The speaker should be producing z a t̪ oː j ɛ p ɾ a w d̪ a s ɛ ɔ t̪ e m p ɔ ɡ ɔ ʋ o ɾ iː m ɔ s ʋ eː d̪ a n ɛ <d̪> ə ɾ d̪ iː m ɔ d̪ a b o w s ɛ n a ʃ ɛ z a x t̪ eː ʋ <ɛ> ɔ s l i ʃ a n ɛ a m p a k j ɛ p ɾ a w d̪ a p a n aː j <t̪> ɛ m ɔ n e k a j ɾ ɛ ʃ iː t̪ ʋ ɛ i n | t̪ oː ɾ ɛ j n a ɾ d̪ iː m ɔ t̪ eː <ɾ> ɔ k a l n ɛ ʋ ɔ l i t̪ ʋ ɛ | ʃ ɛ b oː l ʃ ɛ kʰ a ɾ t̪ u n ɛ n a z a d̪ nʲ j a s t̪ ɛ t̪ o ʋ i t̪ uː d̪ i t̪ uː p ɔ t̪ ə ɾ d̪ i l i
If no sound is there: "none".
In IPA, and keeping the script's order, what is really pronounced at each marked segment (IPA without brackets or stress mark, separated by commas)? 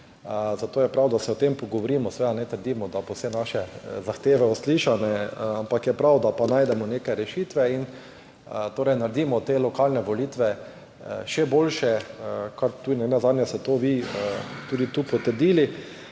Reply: t̪, ɛ, d̪, l